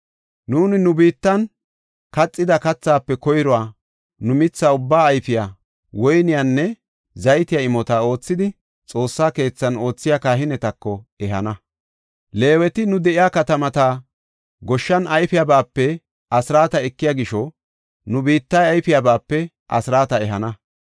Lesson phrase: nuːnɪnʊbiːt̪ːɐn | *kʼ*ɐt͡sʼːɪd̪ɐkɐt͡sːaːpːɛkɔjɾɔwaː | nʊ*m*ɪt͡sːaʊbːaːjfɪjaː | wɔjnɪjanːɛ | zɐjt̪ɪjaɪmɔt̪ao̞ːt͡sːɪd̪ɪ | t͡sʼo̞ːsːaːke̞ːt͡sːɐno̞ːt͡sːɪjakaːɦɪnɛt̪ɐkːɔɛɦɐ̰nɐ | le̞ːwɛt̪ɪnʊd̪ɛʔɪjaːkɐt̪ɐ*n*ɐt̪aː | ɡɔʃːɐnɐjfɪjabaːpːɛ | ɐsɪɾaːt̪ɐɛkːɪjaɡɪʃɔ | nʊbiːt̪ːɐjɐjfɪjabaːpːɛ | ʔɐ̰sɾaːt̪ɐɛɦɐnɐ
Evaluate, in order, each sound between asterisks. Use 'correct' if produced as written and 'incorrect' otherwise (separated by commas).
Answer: incorrect, correct, incorrect